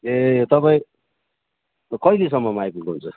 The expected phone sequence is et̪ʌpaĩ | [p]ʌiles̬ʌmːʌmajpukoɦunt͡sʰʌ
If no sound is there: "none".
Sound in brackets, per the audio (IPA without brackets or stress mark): k